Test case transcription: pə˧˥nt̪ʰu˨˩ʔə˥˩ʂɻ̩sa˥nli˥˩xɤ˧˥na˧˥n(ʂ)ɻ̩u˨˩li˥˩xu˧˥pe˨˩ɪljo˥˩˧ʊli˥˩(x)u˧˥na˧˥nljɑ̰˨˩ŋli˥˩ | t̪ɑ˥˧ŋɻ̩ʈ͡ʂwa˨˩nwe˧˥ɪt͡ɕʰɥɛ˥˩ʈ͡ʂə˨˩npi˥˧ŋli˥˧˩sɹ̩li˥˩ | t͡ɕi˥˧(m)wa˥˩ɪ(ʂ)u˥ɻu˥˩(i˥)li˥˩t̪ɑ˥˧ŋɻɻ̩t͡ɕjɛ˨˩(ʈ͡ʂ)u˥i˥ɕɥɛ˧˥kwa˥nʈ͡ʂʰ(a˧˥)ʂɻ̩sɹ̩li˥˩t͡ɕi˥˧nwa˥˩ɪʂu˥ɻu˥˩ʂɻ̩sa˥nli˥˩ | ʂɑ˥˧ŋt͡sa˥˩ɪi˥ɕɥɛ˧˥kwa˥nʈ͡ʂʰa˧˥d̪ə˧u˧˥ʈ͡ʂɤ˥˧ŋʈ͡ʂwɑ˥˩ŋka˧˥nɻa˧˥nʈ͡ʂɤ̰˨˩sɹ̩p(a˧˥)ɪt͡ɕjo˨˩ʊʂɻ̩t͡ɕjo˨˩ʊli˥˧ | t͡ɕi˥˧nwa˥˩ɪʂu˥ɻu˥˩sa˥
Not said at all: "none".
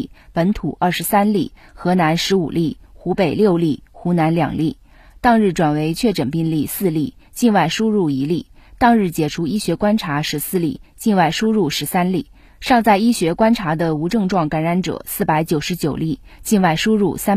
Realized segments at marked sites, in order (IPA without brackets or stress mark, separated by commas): ʂ, x, n, ʂ, i˧˥, ʈ͡ʂʰ, a˧˥, a˧˥